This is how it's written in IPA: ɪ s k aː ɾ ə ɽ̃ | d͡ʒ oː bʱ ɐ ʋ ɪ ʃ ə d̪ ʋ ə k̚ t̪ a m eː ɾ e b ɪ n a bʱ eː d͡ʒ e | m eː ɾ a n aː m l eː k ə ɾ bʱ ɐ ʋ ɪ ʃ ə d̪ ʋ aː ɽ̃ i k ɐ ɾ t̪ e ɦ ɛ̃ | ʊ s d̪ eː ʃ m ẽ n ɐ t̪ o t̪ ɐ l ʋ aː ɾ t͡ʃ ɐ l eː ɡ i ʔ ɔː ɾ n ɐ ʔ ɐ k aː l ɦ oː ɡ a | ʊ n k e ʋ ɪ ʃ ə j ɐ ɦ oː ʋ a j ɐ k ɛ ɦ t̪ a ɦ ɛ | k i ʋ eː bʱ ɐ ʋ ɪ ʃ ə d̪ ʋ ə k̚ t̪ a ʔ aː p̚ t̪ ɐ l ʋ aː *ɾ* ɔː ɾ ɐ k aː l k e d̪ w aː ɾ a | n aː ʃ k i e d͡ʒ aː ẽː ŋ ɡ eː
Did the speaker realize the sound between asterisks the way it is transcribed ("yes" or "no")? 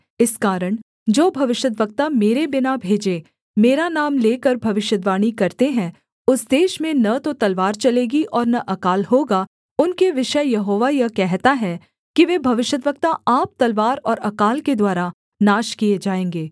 yes